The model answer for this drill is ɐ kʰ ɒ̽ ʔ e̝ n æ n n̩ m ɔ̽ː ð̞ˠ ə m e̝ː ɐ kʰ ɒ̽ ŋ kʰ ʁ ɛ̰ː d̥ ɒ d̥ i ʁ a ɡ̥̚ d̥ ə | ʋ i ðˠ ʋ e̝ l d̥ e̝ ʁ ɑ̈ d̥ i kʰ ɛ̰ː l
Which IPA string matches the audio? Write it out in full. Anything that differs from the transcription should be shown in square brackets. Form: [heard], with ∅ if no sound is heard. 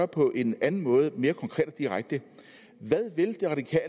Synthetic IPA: ɐ [pʰ] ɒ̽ ʔ e̝ n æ n n̩ m ɔ̽ː ð̞ˠ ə m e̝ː ɐ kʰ ɒ̽ ŋ kʰ ʁ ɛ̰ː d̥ ɒ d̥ i ʁ a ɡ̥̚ d̥ ə | ʋ [æ] ðˠ ʋ e̝ l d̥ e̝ ʁ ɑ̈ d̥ i kʰ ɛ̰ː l